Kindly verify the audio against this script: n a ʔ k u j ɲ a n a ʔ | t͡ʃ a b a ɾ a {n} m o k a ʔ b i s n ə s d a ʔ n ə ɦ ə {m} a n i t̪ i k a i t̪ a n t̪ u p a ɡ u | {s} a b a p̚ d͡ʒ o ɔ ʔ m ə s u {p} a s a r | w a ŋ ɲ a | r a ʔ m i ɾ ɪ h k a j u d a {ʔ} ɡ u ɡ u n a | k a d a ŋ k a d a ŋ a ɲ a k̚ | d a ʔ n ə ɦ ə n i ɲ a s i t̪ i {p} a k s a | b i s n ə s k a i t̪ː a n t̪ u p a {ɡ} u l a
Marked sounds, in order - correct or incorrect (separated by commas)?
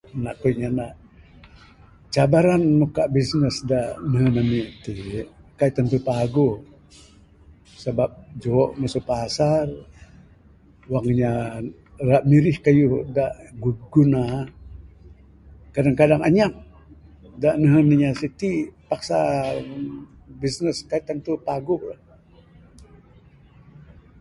correct, incorrect, correct, correct, correct, correct, correct